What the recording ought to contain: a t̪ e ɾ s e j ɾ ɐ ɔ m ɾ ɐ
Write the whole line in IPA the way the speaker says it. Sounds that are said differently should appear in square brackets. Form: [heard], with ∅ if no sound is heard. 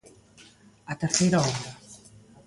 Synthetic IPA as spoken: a t̪ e ɾ [θ] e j ɾ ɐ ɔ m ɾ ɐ